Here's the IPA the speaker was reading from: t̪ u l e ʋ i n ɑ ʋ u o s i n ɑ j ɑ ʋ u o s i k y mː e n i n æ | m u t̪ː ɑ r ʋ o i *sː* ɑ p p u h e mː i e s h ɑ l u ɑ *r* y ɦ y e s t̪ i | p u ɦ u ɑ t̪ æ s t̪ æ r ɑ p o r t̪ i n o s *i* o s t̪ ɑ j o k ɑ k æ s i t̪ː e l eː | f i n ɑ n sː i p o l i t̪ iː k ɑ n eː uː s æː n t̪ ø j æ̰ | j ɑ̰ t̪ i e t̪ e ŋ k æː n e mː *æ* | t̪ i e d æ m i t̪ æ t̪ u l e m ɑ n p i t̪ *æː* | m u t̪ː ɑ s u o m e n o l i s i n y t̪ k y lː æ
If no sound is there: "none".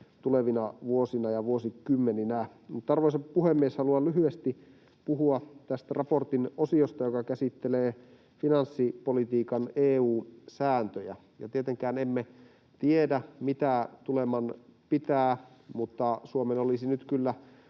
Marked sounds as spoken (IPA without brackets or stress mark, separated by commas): s, l, i, e, æː